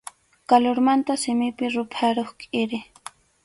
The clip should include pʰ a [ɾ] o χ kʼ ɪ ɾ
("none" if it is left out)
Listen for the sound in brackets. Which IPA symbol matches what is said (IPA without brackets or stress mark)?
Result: ɾ